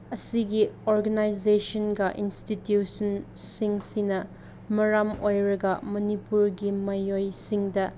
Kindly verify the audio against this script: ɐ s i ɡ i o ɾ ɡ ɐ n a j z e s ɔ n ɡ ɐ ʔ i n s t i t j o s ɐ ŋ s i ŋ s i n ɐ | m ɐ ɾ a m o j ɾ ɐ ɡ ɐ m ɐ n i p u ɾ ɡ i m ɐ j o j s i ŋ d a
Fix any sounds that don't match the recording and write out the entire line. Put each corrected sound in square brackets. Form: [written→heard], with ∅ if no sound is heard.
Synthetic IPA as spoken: ɐ s i ɡ i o ɾ ɡ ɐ n a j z e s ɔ n ɡ ɐ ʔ i n s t i t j [o→u] s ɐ [ŋ→n] s i ŋ s i n ɐ | m ɐ ɾ a m o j ɾ ɐ ɡ ɐ m ɐ n i p u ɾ ɡ i m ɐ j o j s i ŋ d [a→ɐ]